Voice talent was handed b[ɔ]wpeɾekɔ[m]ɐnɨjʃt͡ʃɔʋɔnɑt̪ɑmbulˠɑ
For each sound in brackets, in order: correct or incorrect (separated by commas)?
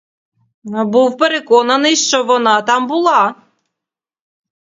incorrect, incorrect